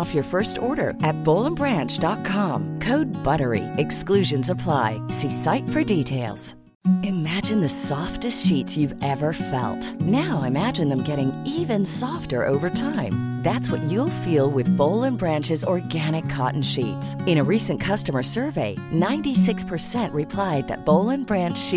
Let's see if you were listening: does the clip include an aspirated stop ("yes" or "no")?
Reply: yes